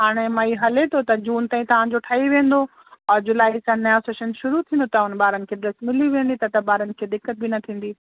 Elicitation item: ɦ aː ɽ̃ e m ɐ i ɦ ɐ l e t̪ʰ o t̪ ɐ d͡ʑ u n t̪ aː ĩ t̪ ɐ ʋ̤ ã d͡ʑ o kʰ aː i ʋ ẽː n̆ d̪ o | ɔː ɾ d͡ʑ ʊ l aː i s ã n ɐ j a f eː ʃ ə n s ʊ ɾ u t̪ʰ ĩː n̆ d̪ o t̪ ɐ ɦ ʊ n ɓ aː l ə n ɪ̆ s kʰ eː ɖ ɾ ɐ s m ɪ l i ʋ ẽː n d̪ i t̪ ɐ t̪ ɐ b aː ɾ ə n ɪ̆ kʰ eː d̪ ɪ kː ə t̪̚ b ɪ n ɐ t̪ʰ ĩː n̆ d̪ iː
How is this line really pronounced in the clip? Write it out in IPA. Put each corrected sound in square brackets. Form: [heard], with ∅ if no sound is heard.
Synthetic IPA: ɦ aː ɽ̃ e m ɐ i ɦ ɐ l e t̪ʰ o t̪ ɐ d͡ʑ [uː] n t̪ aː ĩ t̪ ɐ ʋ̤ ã d͡ʑ o [ʈʰ] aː i ʋ ẽː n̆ d̪ o | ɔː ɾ d͡ʑ ʊ l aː i s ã n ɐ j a [s] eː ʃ ə n [ʃ] ʊ ɾ u t̪ʰ ĩː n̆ d̪ o t̪ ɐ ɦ ʊ n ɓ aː [ɾ] ə n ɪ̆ [∅] kʰ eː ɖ ɾ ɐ s m ɪ l i ʋ ẽː n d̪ i t̪ ɐ t̪ ɐ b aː ɾ ə n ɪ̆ kʰ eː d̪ ɪ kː ə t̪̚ b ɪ n ɐ t̪ʰ ĩː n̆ d̪ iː